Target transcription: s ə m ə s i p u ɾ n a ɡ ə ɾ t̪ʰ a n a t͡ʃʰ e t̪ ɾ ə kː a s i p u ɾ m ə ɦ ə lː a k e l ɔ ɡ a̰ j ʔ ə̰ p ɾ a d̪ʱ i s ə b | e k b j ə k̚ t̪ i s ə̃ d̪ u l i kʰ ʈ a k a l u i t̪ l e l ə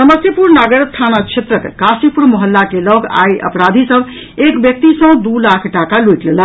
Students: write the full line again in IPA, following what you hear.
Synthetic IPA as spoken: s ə m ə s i p u ɾ n a ɡ ə ɾ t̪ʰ a n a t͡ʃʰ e t̪ ɾ ə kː a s i p u ɾ m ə ɦ ə lː a k e l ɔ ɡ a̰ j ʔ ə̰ p ɾ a d̪ʱ i s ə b | e k b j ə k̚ t̪ i s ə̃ d̪ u l a kʰ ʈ a k a l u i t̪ l e l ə

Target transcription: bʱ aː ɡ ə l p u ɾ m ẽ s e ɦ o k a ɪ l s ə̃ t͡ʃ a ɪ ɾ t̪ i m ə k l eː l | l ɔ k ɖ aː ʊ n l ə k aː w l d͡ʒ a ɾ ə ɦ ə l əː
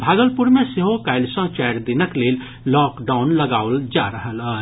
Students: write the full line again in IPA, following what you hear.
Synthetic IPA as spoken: bʱ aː ɡ ə l p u ɾ m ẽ s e ɦ o k a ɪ l s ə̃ t͡ʃ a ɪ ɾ d̪ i n ə k l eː l | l ɔ k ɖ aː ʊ n l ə ɡ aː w l d͡ʒ a ɾ ə ɦ ə l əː

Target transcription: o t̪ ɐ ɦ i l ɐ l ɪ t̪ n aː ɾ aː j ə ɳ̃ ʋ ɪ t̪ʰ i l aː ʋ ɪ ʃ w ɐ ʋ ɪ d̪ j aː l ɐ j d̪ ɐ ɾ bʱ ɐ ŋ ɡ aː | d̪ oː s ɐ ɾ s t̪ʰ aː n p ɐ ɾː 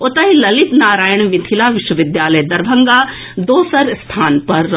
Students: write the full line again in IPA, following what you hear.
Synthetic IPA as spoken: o t̪ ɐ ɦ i l ɐ l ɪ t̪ n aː ɾ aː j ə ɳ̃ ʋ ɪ t̪ʰ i l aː ʋ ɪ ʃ w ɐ ʋ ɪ d̪ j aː l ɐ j d̪ ɐ ɾ bʱ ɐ ŋ ɡ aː | d̪ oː s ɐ ɾ s t̪ʰ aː n p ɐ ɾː

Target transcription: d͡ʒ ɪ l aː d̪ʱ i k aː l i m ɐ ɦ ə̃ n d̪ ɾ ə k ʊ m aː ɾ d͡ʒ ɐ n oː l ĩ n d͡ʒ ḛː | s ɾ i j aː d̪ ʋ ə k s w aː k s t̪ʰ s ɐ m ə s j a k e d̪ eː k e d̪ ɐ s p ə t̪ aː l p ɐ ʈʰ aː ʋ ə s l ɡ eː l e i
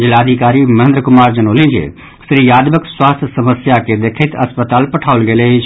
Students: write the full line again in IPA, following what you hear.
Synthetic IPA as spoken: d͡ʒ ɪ l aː d̪ʱ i k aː ɾ i m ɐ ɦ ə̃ n d̪ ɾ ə k ʊ m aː ɾ d͡ʒ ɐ n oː l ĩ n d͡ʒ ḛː | s ɾ i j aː d̪ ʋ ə k s w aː s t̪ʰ s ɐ m ə s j a k e d̪ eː kʰ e t̪ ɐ s p ə t̪ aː l p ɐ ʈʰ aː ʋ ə l ɡ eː l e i

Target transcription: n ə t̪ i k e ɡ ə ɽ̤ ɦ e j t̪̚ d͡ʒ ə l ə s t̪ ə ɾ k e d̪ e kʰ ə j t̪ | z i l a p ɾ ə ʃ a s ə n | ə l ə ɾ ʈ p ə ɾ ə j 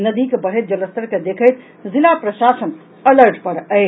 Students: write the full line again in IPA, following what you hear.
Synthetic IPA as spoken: n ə d̪ i k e b ə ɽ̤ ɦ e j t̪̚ d͡ʒ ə l ə s t̪ ə ɾ k e d̪ e kʰ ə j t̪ | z i l a p ɾ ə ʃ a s ə n | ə l ə ɾ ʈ p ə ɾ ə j

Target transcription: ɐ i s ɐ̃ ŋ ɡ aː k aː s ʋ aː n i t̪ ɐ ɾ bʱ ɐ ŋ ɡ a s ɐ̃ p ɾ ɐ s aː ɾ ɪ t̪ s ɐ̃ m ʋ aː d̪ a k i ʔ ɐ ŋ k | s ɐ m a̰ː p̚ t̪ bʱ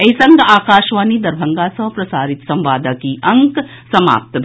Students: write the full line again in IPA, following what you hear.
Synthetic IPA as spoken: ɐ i s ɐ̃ ŋ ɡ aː k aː ʃ ʋ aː n i d̪ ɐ ɾ bʱ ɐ ŋ ɡ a s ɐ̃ p ɾ ɐ s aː ɾ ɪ t̪ s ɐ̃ m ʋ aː d̪ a k i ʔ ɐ ŋ k | s ɐ m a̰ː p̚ t̪ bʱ

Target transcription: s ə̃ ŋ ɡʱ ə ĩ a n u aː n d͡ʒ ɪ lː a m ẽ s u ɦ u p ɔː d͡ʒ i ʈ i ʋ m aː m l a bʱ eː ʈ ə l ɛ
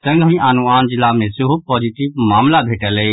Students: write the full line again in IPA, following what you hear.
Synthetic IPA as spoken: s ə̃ ŋ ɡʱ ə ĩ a n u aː n d͡ʒ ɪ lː a m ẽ s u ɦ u p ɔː d͡ʒ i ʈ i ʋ m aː m l a bʱ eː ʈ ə l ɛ

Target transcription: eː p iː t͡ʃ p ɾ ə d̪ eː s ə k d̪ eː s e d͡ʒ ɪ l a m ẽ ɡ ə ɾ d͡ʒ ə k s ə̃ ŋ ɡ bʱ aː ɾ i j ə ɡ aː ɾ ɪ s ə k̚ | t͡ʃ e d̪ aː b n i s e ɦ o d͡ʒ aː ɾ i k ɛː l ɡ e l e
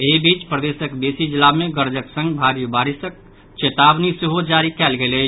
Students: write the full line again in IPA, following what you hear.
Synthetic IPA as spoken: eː b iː t͡ʃ p ɾ ə d̪ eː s ə k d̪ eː s i d͡ʒ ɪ l a m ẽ ɡ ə ɾ d͡ʒ ə k s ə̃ ŋ ɡ bʱ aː ɾ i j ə b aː ɾ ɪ s ə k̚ | t͡ʃ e t̪ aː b n i s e ɦ o d͡ʒ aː ɾ i k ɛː l ɡ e l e

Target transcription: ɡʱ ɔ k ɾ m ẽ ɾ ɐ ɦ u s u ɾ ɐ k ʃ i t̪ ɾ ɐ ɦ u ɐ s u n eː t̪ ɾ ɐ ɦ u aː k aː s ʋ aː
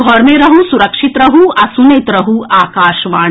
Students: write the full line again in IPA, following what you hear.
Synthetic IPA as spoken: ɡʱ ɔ ɾ m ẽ ɾ ɐ ɦ u s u ɾ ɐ k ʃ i t̪ ɾ ɐ ɦ u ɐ s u n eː t̪ ɾ ɐ ɦ u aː k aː ʃ ʋ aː

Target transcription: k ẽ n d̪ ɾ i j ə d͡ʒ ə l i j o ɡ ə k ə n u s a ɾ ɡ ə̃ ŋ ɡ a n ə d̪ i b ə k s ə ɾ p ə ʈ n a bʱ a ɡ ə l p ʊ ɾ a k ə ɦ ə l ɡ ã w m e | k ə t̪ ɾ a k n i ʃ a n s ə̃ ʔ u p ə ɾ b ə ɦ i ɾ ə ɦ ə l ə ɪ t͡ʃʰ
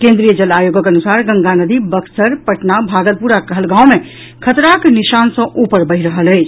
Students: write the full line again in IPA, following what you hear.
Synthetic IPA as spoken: k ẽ n d̪ ɾ i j ə d͡ʒ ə l a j o ɡ ə k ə n u s a ɾ ɡ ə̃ ŋ ɡ a n ə d̪ i b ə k s ə ɾ p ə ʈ n a bʱ a ɡ ə l p u ɾ a k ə ɦ ə l ɡ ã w m e | kʰ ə t̪ ɾ a k n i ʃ a n s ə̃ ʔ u p ə ɾ b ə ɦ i ɾ ə ɦ ə l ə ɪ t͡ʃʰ

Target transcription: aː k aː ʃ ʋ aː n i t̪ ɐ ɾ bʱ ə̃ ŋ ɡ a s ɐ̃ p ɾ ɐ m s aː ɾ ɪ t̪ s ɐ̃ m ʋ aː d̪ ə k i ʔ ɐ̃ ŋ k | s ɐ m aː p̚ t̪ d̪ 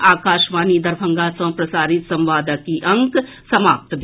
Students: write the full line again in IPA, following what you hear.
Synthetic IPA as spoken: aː k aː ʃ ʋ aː n i d̪ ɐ ɾ bʱ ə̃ ŋ ɡ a s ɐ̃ p ɾ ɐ s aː ɾ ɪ t̪ s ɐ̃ m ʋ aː d̪ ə k i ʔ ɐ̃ ŋ k | s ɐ m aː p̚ t̪ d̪

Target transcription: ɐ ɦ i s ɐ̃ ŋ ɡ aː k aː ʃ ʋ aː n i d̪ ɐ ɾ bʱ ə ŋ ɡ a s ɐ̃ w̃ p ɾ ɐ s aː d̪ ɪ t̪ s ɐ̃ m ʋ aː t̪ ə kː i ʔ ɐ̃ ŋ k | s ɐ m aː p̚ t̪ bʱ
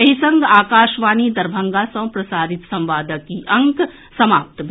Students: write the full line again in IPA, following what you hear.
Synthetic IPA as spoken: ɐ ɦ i s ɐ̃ ŋ ɡ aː k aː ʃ ʋ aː n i d̪ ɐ ɾ bʱ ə ŋ ɡ a s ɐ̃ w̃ p ɾ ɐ s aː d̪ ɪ t̪ s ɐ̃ m ʋ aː d̪ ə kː i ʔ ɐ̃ ŋ k | s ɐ m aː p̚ t̪ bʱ

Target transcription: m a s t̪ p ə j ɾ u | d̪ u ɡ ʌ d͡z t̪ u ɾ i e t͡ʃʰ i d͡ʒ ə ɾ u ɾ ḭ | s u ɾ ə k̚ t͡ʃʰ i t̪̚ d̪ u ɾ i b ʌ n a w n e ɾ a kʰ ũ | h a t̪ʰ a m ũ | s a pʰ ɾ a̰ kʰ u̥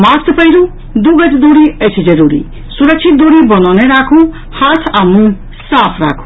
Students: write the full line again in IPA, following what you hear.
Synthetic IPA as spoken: m a s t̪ p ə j ɾ u | d̪ u ɡ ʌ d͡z d̪ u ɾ i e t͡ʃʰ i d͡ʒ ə ɾ u ɾ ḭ | s u ɾ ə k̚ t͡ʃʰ i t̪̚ d̪ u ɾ i b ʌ n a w n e ɾ a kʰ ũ | h a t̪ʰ a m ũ | s a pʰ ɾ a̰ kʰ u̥

